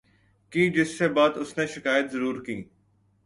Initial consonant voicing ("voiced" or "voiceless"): voiceless